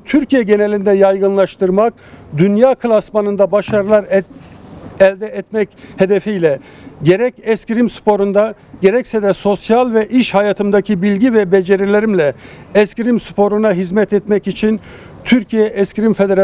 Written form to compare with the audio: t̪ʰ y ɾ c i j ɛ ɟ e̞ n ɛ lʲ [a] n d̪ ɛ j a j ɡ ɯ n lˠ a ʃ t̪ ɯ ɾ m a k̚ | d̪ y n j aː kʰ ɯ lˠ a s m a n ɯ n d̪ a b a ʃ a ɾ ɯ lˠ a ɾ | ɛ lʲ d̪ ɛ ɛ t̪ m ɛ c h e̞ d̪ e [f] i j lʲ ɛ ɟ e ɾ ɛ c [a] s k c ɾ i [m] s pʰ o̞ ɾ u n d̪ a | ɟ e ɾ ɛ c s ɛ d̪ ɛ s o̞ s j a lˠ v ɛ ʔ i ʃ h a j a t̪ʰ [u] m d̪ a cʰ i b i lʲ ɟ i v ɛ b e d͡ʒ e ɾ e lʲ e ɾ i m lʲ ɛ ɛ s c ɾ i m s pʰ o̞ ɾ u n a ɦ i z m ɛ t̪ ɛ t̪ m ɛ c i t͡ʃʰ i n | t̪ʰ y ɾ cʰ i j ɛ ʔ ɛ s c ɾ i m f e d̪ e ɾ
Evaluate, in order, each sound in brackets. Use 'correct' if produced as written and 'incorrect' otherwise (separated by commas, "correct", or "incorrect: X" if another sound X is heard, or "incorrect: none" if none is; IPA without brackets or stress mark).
incorrect: i, correct, incorrect: ɛ, correct, incorrect: ɯ